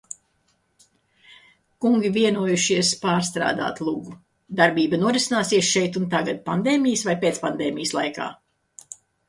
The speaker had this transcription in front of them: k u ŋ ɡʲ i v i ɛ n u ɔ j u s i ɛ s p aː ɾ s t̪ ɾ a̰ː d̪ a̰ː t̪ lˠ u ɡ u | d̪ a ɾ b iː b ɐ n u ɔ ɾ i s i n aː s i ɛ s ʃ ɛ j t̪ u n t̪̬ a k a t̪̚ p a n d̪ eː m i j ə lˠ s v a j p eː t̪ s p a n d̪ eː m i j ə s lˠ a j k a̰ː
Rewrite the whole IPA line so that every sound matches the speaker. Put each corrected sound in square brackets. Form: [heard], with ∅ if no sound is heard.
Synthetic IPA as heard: k u ŋ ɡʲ i v i ɛ n u ɔ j u [ʃ] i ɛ s p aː ɾ s t̪ ɾ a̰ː d̪ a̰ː t̪ lˠ u ɡ u | d̪ a ɾ b iː b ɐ n u ɔ ɾ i s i n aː s i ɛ s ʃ ɛ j t̪ u n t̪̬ a [ɡ] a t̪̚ p a n d̪ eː m i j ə [∅] s v a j p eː t̪ s p a n d̪ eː m i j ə s lˠ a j k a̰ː